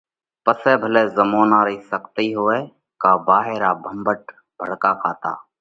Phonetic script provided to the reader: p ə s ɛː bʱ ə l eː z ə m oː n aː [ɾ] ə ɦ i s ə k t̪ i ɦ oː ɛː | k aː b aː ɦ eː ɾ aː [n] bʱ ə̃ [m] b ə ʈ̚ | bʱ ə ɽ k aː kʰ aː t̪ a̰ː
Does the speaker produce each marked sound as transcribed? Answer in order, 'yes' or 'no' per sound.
yes, no, yes

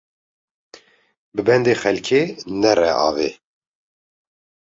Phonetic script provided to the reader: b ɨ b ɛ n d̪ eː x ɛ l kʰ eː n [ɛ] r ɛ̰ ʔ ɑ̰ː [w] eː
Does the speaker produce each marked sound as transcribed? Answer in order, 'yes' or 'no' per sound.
yes, no

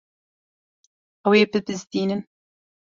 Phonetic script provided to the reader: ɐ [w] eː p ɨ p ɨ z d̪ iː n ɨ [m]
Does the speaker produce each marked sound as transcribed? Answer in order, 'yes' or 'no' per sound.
yes, no

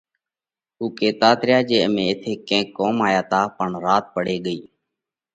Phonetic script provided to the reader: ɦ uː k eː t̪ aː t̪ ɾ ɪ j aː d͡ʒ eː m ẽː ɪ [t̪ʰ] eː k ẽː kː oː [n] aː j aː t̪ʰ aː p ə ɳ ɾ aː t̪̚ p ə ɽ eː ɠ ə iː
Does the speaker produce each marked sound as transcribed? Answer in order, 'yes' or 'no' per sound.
yes, no

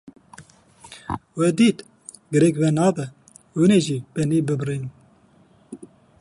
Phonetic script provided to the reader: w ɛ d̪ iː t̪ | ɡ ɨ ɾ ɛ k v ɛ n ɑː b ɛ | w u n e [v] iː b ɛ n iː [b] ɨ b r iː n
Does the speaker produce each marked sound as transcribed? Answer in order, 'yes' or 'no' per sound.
no, yes

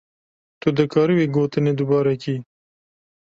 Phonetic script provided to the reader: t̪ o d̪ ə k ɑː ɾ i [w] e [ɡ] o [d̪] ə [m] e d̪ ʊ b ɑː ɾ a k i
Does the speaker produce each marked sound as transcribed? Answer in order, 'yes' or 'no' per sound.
yes, yes, no, no

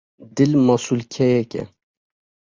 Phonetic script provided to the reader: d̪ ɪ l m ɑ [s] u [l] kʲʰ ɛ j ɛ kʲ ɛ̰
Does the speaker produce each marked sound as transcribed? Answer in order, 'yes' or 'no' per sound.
yes, yes

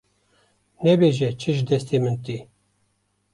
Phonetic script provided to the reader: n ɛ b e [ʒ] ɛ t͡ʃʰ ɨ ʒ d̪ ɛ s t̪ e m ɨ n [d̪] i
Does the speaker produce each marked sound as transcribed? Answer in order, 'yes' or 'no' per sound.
yes, no

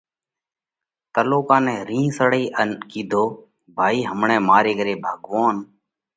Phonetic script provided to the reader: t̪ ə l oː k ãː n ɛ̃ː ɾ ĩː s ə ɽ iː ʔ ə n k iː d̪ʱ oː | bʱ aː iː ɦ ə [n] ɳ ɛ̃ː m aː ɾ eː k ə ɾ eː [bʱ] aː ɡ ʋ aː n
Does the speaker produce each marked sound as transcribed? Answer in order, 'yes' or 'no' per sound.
no, yes

